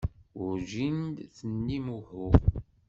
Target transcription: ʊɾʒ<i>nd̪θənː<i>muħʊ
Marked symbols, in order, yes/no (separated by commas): yes, yes